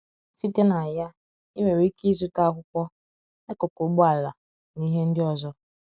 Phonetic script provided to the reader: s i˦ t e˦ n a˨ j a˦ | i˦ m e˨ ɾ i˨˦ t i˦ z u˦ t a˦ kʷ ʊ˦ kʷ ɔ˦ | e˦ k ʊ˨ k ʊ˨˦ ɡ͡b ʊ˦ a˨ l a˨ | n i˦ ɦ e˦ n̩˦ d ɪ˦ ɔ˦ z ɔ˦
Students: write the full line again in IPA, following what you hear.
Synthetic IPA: s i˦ t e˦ n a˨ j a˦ | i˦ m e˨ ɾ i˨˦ k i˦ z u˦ t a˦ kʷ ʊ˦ kʷ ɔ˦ | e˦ k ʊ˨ k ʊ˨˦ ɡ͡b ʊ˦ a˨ l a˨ | n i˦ ɦ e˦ n̩˦ d ɪ˦ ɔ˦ z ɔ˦